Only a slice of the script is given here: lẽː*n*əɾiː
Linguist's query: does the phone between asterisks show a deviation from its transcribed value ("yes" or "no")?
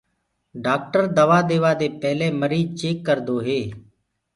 yes